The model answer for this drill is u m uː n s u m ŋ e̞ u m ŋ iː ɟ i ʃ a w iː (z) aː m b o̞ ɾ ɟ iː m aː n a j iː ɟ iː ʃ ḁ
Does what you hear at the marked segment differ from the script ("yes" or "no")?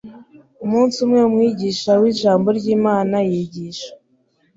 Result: yes